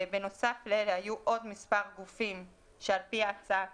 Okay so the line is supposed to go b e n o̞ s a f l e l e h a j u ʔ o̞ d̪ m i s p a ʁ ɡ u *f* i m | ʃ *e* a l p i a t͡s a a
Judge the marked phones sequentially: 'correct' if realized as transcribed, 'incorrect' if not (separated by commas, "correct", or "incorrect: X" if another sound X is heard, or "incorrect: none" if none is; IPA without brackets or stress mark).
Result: correct, correct